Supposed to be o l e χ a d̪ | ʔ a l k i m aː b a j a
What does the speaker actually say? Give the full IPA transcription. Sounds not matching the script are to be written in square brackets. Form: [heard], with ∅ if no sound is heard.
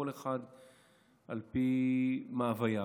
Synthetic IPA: o l e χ a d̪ | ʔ a l [p] i m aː [v] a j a